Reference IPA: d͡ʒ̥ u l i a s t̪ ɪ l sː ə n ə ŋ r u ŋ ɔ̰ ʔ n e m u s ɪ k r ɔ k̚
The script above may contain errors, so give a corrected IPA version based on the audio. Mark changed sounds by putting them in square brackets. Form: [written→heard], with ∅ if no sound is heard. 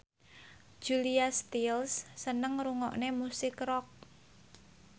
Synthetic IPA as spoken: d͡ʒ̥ u l i a s t̪ [ɪ→i] l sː ə n ə ŋ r u ŋ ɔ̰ ʔ n e m u s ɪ k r ɔ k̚